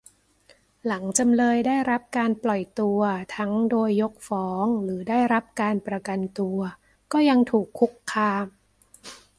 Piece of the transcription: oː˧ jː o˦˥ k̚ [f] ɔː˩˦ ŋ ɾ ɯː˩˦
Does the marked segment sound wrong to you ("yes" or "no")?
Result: no